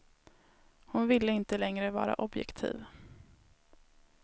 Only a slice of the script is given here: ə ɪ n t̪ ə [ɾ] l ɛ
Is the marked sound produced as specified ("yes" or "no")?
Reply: no